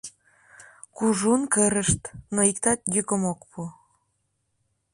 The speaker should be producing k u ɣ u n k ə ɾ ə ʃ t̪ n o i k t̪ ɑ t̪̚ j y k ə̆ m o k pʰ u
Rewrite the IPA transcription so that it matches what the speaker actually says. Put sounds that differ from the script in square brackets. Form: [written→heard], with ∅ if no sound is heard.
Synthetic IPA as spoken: k u [ɣ→ʒ] u n k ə ɾ ə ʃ t̪ n o i k t̪ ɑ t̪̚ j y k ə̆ m o k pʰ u